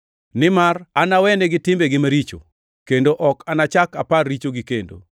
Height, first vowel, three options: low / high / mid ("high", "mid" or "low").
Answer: high